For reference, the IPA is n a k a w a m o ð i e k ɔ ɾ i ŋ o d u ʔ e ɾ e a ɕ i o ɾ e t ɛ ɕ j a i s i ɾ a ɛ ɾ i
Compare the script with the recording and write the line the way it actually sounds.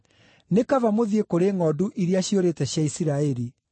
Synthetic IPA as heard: n e k a v a m o ð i e k o ɾ e ŋ ɔ d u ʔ i ɾ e a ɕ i o ɾ e t ɛ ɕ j a i s i ɾ a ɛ ɾ i